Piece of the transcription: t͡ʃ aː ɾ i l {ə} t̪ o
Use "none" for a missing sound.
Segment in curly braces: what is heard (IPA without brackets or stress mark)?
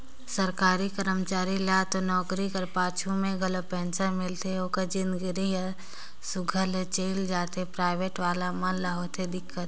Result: a